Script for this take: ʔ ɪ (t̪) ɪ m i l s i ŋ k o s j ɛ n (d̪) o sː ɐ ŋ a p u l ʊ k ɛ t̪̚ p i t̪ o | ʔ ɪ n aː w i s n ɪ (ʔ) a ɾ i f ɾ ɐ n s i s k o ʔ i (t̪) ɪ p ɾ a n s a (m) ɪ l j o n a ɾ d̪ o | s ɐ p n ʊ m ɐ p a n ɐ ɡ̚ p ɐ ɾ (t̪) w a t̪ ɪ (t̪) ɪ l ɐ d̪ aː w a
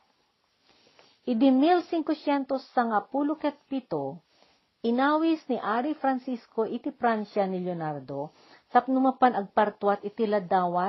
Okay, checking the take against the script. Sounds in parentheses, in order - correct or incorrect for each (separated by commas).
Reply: incorrect, incorrect, correct, correct, incorrect, correct, correct